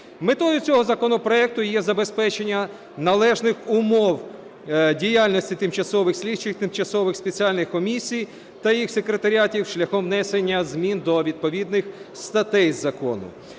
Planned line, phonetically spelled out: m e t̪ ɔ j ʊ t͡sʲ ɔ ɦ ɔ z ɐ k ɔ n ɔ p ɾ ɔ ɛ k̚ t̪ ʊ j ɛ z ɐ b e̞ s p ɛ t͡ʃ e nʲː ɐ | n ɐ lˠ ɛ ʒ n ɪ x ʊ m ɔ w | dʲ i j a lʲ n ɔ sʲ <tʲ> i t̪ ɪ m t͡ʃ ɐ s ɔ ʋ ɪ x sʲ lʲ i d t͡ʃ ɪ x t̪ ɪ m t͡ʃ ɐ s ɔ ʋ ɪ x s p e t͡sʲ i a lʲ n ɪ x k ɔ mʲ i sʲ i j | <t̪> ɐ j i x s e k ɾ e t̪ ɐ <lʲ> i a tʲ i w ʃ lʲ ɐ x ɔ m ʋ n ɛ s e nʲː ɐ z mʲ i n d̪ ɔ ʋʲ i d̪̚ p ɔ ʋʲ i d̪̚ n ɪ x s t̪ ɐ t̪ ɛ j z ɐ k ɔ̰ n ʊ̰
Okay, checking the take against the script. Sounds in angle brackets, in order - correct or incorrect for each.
correct, correct, incorrect: ɾʲ

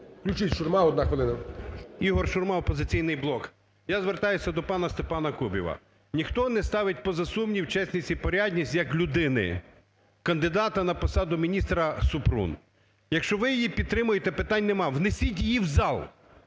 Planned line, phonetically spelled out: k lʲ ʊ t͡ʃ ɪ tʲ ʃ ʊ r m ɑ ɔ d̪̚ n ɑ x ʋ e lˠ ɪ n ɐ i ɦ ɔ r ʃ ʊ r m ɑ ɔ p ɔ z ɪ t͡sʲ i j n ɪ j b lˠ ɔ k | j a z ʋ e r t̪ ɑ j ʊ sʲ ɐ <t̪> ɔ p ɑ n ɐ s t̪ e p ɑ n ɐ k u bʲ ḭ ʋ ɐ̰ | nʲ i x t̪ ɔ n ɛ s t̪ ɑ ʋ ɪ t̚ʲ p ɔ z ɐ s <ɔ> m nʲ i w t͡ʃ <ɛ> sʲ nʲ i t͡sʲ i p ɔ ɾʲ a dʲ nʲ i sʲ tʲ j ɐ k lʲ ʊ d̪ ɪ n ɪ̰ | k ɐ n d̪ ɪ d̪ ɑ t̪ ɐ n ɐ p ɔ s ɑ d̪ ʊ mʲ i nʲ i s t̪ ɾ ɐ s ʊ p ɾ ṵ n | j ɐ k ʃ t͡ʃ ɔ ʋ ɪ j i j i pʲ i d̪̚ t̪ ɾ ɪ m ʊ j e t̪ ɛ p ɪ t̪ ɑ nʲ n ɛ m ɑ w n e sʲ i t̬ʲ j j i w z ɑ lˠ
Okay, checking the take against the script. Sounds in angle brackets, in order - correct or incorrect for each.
incorrect: d̪, incorrect: u, correct

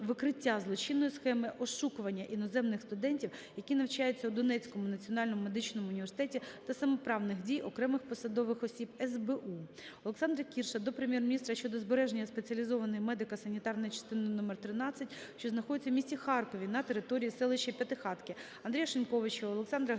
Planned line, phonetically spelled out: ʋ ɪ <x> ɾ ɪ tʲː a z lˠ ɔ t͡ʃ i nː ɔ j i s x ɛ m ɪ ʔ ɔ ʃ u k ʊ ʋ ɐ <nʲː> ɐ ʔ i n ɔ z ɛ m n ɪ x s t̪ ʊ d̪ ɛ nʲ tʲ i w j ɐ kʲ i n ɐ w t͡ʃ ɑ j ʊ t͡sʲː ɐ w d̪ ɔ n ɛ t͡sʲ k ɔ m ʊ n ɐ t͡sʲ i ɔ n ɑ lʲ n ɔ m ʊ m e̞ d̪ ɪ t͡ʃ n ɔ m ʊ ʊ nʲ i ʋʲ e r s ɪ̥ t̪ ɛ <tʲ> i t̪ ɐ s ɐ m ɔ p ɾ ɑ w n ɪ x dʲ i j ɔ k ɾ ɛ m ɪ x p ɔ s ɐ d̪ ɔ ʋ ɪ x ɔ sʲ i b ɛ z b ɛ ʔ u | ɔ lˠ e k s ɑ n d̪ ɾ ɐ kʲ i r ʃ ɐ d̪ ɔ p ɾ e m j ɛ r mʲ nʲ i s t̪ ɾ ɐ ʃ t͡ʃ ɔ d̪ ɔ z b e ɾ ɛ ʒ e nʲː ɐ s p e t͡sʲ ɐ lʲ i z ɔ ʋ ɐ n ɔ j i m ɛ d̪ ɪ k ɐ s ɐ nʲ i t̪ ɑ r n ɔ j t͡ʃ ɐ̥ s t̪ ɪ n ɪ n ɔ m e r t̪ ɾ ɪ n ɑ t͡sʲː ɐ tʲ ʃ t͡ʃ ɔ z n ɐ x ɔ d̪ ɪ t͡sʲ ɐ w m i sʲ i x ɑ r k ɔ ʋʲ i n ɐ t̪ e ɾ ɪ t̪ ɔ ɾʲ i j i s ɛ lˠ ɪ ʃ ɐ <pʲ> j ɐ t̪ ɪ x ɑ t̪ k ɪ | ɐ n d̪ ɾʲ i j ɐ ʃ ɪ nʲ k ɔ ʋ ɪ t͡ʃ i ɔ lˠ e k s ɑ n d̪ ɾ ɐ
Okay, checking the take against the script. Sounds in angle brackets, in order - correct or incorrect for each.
incorrect: k, correct, correct, correct

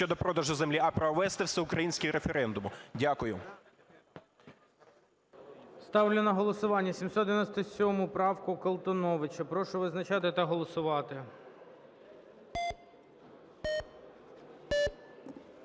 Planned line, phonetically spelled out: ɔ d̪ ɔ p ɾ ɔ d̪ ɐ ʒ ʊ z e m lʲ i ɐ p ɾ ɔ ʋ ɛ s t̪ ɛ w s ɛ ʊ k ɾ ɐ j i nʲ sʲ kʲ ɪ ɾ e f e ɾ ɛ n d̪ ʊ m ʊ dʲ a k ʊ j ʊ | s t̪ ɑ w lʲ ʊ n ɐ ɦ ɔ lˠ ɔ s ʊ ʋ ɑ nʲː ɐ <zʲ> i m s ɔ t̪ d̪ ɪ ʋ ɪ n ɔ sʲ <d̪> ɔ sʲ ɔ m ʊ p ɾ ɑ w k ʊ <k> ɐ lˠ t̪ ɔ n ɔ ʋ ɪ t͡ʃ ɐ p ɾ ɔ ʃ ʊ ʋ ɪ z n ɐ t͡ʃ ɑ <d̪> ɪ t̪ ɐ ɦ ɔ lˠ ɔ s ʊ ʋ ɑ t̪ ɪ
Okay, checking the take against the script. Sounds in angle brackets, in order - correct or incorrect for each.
incorrect: sʲ, incorrect: t̪, correct, incorrect: t̪

